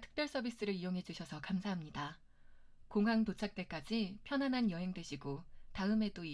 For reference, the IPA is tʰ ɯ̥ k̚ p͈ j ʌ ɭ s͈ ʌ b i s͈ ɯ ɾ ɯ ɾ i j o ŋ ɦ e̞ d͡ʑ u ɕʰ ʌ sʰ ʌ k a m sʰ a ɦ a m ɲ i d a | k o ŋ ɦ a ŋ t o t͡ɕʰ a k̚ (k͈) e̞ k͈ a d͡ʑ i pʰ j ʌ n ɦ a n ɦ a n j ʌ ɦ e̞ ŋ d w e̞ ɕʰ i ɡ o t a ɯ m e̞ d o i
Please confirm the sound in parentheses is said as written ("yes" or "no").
no